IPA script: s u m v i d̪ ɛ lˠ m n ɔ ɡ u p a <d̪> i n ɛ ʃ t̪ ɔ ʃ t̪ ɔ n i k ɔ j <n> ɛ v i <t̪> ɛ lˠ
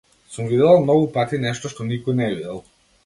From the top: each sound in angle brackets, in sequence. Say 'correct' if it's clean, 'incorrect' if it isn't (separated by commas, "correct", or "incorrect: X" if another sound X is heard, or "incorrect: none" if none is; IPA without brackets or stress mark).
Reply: incorrect: t̪, correct, incorrect: d̪